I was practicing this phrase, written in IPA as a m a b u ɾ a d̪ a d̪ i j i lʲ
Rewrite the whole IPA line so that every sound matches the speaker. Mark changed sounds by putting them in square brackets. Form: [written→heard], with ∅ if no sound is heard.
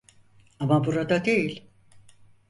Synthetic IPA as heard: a m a b u ɾ a d̪ a d̪ [i→e] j i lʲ